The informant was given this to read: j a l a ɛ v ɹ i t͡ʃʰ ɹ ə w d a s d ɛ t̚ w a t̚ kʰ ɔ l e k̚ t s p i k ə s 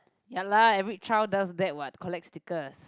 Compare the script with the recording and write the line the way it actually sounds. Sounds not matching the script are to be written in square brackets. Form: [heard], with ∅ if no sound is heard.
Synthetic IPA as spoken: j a l a ɛ v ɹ i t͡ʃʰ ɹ [a] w d a s d ɛ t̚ w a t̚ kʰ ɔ l [ɛ] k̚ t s [t] i k ə s